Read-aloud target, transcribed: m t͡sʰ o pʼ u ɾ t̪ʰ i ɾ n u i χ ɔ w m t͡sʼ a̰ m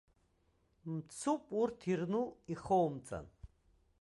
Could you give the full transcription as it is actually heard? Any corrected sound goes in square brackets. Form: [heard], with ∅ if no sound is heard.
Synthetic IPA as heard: m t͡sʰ [u] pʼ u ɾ t̪ʰ i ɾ n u i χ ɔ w m t͡sʼ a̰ [n]